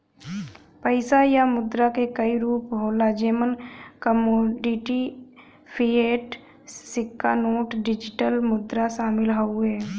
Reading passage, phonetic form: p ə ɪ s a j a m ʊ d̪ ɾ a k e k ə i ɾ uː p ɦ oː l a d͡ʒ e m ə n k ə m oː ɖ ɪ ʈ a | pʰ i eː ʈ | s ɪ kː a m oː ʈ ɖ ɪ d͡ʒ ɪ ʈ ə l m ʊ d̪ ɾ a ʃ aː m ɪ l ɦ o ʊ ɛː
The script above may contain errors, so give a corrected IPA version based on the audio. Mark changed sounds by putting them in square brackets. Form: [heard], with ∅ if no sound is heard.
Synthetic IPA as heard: p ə ɪ s a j a m ʊ d̪ ɾ a k e k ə i ɾ uː p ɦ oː l a d͡ʒ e m ə n k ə m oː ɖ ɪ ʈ [i] | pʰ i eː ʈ | s ɪ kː a [n] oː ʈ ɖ ɪ d͡ʒ ɪ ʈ ə l m ʊ d̪ ɾ a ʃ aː m ɪ l ɦ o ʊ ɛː